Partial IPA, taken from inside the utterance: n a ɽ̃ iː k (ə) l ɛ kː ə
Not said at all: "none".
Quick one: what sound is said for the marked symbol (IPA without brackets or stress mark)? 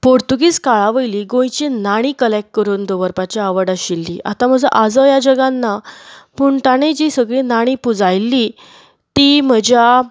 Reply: ə